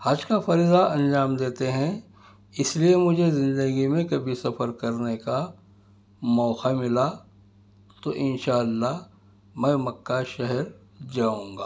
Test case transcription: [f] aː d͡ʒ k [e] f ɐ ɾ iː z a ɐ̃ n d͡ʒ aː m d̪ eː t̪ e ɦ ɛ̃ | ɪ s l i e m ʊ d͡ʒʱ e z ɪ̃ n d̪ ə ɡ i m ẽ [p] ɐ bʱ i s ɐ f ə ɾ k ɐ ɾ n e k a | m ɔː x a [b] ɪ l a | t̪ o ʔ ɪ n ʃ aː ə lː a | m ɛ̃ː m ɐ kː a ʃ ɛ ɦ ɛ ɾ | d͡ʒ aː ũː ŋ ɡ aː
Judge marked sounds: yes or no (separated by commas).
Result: no, no, no, no